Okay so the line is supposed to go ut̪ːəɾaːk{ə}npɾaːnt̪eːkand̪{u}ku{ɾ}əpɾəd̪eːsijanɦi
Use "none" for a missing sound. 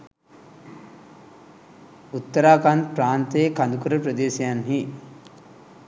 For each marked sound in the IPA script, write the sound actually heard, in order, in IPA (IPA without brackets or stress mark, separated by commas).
a, u, ɾ